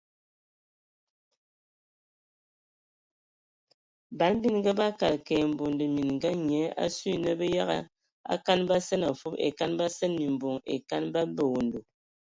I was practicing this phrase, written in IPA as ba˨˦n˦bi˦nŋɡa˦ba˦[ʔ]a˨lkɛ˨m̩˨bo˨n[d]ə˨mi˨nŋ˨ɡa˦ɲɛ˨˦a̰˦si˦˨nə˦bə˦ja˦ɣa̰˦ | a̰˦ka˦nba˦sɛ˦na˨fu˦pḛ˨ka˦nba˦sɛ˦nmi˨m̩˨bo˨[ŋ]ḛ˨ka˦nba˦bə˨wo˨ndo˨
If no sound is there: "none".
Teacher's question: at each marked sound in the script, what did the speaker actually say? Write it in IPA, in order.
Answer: k, d, ŋ

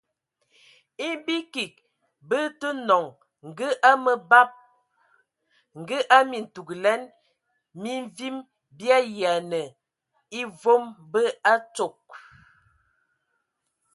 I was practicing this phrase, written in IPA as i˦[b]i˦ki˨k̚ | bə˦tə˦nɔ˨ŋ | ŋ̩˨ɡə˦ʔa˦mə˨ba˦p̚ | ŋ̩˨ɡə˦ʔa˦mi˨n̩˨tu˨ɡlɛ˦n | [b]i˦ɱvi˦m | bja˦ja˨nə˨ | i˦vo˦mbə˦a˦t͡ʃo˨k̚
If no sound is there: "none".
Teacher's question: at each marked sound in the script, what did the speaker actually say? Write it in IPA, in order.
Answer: b, m

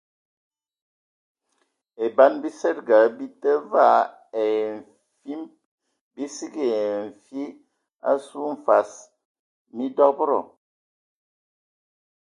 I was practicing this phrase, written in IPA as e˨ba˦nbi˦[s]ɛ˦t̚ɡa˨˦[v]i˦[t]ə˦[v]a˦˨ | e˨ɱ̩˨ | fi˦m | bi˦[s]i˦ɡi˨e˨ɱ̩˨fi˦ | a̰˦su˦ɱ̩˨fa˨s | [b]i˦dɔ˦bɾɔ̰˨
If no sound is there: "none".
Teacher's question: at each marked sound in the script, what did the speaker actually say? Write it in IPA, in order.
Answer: s, b, t, v, s, m

